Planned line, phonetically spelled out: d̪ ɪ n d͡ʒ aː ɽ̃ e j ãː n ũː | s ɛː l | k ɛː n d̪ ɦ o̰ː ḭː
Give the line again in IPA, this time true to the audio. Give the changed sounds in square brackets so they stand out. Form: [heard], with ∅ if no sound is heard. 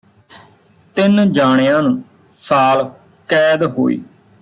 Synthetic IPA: [t̪] ɪ n d͡ʒ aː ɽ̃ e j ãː n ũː | s [aː] l | k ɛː [∅] d̪ ɦ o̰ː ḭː